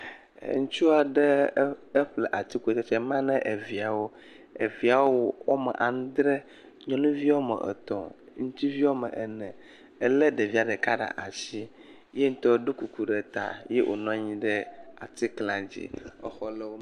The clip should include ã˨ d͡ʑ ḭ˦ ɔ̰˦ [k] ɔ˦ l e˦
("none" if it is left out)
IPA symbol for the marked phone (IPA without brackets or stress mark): x